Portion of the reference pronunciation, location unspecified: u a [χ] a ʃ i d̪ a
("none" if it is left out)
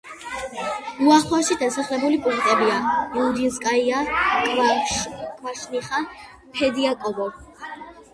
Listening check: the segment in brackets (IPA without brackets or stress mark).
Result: χ